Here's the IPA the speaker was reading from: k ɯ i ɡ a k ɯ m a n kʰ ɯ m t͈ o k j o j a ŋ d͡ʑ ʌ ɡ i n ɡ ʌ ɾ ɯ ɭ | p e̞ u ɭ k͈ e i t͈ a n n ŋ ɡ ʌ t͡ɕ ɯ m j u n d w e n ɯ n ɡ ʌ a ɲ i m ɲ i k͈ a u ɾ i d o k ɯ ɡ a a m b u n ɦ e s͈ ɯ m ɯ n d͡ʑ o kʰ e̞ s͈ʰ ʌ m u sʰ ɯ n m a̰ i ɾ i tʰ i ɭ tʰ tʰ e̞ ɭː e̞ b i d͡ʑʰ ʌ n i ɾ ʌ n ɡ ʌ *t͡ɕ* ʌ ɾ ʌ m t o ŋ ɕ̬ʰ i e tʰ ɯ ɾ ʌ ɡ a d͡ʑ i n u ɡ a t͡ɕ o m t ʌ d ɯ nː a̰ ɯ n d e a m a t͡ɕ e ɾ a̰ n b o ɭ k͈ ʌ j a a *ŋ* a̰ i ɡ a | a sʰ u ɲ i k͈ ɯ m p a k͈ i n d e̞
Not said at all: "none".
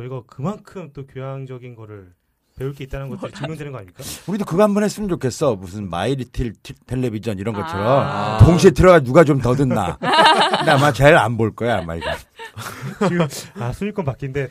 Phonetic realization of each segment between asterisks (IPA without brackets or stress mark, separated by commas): t͡ɕʰ, m